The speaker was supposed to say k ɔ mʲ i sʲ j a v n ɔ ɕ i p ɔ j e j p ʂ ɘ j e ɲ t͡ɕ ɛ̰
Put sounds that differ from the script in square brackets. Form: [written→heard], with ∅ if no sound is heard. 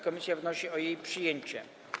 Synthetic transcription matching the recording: k ɔ mʲ i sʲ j a v n ɔ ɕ i [p→∅] ɔ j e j p ʂ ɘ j e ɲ t͡ɕ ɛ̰